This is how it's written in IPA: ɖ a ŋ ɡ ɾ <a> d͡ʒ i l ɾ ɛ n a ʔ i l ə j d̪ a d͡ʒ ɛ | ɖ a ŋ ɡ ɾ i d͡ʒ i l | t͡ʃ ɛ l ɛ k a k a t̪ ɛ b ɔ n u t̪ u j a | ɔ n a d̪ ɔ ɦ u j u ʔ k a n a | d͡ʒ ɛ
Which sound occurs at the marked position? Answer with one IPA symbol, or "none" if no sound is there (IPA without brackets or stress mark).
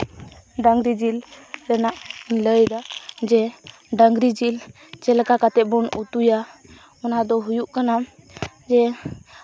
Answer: i